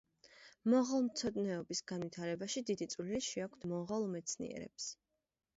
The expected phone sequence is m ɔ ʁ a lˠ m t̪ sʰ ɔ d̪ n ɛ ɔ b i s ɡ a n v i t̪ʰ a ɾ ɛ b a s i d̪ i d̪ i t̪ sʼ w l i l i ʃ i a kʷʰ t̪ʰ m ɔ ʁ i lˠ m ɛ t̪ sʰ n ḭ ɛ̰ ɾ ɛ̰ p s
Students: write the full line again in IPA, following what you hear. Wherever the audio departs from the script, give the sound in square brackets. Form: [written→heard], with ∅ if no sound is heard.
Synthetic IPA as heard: m ɔ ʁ a lˠ m t̪ sʰ ɔ d̪ n ɛ ɔ b i s ɡ a n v i t̪ʰ a ɾ ɛ b a [s→ʃ] i d̪ i d̪ i t̪ sʼ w l i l i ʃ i a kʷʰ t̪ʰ m ɔ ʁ [i→a] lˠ m ɛ t̪ sʰ n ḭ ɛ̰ ɾ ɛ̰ p s